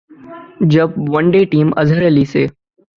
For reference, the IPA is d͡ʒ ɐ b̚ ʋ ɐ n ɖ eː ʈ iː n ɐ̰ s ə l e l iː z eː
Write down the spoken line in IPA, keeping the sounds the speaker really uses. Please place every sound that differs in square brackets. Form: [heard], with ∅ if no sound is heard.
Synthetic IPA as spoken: d͡ʒ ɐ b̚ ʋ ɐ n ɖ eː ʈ iː [m] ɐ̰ [z] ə [ɾ] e l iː [s] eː

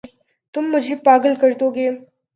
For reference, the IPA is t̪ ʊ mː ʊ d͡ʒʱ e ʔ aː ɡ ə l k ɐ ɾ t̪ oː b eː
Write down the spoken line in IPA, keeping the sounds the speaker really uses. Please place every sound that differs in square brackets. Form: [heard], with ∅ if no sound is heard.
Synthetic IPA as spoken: t̪ ʊ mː ʊ d͡ʒʱ e [p] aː ɡ ə l k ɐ ɾ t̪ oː [ɡ] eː

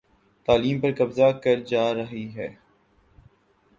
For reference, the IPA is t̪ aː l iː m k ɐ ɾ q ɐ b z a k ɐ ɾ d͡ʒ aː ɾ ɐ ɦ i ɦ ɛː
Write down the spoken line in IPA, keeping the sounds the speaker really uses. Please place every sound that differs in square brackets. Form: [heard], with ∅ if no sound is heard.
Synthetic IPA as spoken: t̪ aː l iː m [p] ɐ ɾ [k] ɐ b z a k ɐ ɾ d͡ʒ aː ɾ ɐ ɦ i ɦ ɛː

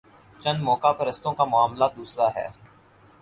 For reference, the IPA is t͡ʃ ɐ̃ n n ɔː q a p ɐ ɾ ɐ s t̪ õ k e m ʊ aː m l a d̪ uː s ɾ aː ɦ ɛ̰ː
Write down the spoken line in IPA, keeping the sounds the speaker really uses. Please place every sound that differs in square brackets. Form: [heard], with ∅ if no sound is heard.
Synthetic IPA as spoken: t͡ʃ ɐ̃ n [m] ɔː [k] a p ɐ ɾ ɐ s t̪ õ k [a] m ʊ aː m l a d̪ uː s ɾ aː ɦ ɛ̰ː

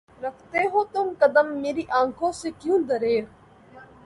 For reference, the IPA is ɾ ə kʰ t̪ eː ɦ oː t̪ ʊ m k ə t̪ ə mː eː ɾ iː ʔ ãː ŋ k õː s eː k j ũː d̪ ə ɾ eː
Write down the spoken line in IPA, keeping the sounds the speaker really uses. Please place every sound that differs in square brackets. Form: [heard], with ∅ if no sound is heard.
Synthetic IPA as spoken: ɾ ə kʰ t̪ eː ɦ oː t̪ ʊ m k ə [d̪] ə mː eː ɾ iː ʔ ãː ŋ [kʰ] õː s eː k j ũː d̪ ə ɾ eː

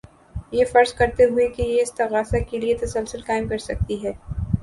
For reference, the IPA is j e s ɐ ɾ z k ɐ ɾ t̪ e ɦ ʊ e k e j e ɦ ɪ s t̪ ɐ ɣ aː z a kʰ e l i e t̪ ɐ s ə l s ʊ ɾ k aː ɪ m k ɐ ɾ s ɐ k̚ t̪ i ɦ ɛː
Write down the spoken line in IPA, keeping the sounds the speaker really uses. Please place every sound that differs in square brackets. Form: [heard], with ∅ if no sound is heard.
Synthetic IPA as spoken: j e [f] ɐ ɾ z k ɐ ɾ t̪ e ɦ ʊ e k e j e [∅] ɪ s t̪ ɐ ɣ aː [s] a [k] e l i e t̪ ɐ s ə l s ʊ [l] k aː ɪ m k ɐ ɾ s ɐ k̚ t̪ i ɦ ɛː

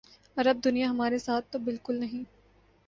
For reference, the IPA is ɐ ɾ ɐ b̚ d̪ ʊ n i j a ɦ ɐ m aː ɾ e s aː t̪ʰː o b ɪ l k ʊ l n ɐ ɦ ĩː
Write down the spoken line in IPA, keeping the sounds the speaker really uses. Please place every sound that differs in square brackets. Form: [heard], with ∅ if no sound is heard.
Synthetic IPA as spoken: ɐ ɾ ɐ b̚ d̪ ʊ n i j a ɦ ɐ m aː ɾ e s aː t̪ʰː o b ɪ l k ʊ l n ɐ ɦ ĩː

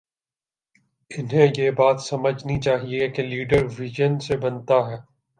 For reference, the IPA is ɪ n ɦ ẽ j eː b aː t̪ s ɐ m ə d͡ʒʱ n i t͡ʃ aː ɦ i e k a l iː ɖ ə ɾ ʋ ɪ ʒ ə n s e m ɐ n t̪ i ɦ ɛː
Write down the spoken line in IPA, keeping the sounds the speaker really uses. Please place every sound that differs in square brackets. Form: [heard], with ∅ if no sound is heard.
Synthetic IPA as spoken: ɪ n ɦ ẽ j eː b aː t̪ s ɐ m ə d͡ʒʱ n i t͡ʃ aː ɦ i e k [e] l iː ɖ ə ɾ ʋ ɪ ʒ ə n s e [b] ɐ n t̪ [a] ɦ ɛː

